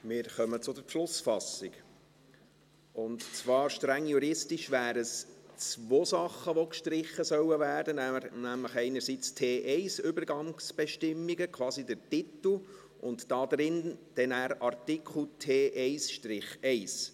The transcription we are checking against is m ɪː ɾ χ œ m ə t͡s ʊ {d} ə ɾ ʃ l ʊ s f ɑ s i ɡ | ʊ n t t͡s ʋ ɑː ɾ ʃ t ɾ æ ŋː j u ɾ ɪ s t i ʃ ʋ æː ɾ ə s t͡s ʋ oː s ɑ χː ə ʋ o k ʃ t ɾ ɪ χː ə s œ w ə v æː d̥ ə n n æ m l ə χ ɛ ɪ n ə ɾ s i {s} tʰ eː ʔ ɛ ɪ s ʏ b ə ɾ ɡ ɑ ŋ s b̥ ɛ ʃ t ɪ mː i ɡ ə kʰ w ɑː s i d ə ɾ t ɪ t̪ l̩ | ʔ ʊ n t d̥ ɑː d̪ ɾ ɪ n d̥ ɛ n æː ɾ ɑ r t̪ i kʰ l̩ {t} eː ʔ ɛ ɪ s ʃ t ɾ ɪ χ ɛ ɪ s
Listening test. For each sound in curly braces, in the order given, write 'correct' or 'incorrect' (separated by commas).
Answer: correct, incorrect, incorrect